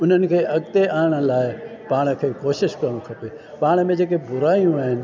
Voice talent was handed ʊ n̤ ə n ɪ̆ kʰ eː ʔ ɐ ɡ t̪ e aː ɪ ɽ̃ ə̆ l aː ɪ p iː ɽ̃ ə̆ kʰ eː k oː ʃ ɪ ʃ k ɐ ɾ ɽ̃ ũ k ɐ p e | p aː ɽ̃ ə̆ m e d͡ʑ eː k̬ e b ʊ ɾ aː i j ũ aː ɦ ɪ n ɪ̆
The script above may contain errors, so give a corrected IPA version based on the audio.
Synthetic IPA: ʊ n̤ ə n ɪ̆ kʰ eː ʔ ɐ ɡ t̪ e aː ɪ ɽ̃ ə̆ l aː ɪ p aː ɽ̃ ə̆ kʰ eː k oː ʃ ɪ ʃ k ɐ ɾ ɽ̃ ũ kʰ ɐ p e | p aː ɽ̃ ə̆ m ẽ d͡ʑ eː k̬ e b ʊ ɾ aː i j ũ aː ɦ ɪ n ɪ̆

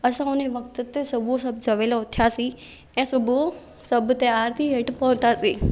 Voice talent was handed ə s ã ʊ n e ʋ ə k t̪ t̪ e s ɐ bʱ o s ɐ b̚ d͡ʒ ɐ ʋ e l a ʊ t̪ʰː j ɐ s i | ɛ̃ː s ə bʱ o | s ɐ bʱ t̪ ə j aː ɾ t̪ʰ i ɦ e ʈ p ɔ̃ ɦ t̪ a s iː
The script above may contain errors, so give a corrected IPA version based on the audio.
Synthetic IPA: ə s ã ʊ n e ʋ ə k t̪ t̪ e s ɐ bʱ o s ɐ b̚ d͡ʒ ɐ ʋ e l a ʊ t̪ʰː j a s i | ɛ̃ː s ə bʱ o | s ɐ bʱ t̪ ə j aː ɾ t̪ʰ i ɦ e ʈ p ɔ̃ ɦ t̪ a s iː

